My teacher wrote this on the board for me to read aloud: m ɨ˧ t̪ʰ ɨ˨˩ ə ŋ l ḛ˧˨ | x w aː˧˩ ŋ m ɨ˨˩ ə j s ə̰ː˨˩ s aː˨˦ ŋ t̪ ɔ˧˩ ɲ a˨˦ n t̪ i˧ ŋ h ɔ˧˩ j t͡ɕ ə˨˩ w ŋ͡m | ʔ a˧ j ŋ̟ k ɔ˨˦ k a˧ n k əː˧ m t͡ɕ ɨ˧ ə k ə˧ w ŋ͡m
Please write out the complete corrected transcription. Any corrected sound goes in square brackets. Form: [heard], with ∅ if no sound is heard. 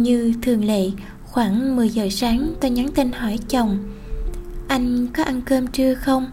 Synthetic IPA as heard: [ɲ] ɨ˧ t̪ʰ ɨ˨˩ ə ŋ l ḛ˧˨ | x w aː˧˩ ŋ m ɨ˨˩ ə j [z] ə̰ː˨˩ s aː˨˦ ŋ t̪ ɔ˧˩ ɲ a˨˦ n t̪ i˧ [n] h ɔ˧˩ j t͡ɕ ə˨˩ w ŋ͡m | ʔ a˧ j ŋ̟ k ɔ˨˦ [ʔ] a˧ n k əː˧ m t͡ɕ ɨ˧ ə [x] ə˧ w ŋ͡m